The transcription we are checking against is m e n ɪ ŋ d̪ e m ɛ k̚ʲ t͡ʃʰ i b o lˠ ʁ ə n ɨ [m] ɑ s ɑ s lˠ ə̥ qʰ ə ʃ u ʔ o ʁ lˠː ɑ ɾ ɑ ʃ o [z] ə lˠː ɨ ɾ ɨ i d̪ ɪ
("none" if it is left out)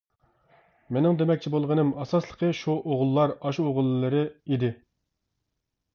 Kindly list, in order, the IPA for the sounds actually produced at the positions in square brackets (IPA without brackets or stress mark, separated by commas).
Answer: m, ʁ